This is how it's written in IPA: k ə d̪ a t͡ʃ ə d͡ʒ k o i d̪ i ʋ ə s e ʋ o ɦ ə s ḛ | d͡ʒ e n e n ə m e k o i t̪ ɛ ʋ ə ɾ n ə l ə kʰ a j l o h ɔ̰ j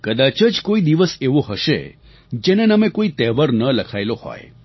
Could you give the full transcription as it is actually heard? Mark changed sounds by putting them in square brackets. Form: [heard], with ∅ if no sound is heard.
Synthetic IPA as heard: k ə d̪ a t͡ʃ ə d͡ʒ k o i d̪ i ʋ ə s e ʋ o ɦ ə [ʃ] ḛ | d͡ʒ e n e n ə m e k o i t̪ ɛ ʋ ə ɾ n ə l ə kʰ a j l o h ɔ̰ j